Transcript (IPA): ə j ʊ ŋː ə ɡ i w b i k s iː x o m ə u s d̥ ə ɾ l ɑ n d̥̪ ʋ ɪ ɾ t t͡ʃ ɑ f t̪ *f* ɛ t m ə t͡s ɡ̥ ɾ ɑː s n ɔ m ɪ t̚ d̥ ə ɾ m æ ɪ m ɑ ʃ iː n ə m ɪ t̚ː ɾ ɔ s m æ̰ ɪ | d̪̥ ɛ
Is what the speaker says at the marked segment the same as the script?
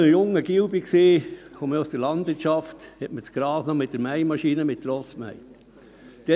no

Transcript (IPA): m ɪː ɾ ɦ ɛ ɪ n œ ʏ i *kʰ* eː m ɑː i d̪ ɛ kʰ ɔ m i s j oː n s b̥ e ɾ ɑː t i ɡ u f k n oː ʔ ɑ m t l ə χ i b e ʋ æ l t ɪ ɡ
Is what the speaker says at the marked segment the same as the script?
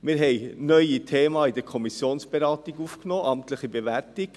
no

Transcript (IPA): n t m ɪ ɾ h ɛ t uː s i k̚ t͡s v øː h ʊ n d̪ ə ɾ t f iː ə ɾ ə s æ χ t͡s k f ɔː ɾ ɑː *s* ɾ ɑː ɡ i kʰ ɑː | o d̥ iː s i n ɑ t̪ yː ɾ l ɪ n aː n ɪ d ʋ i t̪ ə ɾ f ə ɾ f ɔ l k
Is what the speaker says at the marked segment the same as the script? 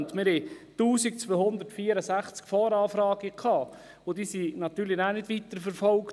no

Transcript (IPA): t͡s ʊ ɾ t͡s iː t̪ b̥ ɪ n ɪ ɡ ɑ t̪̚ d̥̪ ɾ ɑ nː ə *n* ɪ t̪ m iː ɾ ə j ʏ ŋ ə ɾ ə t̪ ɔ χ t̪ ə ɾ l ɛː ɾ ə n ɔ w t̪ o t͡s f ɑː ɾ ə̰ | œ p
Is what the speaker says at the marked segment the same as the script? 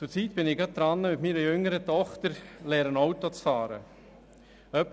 no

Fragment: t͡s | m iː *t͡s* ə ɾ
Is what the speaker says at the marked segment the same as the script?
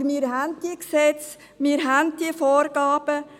no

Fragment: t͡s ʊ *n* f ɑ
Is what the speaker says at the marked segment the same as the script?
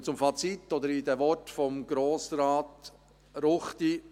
no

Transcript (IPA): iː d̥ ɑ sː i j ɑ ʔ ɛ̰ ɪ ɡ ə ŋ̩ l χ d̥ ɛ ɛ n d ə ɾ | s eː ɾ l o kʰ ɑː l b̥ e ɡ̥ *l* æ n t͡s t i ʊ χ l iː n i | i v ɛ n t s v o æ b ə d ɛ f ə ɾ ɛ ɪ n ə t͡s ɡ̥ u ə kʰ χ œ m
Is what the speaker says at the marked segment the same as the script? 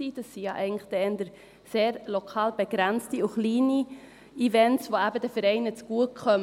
no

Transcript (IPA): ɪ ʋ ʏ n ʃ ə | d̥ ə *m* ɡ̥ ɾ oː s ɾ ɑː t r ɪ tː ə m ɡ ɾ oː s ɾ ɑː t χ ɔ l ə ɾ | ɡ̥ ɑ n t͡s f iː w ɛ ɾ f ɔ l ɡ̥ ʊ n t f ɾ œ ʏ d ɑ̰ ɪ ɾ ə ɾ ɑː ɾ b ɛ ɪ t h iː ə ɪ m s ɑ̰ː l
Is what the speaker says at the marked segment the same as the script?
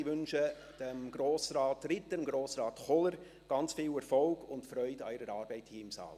yes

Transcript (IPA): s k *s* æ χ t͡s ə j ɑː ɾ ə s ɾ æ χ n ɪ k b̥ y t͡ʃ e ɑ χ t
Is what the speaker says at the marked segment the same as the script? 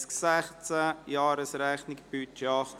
yes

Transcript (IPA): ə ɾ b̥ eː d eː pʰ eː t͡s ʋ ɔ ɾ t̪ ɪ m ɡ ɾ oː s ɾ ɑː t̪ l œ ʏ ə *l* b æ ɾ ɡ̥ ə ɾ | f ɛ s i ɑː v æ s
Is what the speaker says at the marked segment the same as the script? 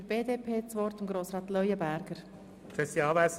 no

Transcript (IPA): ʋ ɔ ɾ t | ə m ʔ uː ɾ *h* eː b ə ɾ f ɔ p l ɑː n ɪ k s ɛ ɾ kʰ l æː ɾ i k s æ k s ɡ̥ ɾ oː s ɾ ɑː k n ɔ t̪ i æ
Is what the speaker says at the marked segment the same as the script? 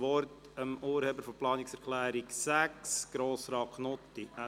yes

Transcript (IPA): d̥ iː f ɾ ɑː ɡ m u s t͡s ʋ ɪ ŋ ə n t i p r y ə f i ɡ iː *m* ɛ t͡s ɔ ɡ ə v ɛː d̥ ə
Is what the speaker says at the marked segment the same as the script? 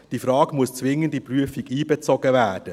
no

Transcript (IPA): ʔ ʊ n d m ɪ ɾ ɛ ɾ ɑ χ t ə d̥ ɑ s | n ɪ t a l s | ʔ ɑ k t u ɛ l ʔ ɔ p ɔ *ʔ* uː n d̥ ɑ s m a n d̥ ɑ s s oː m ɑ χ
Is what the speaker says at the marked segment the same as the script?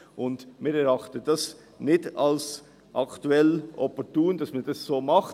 no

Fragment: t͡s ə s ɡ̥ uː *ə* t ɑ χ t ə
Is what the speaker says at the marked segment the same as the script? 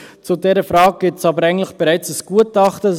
yes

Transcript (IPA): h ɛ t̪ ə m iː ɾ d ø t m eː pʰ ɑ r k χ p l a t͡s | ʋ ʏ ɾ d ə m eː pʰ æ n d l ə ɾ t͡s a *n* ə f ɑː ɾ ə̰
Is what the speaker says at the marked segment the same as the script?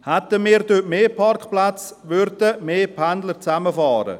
no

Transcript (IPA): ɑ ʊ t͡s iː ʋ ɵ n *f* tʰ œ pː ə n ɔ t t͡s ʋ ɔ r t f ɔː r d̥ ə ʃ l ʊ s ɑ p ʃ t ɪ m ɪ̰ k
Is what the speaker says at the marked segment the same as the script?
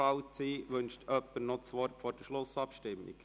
no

